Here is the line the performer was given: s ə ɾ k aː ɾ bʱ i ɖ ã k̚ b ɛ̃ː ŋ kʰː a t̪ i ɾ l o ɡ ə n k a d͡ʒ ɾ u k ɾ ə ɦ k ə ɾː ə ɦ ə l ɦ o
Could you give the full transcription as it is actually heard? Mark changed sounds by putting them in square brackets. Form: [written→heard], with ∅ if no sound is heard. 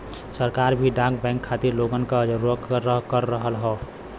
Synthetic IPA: s ə ɾ k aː ɾ bʱ i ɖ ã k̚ b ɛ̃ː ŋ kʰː a t̪ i ɾ l o ɡ ə n k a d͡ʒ ɾ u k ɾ ə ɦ k ə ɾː ə ɦ ə l ɦ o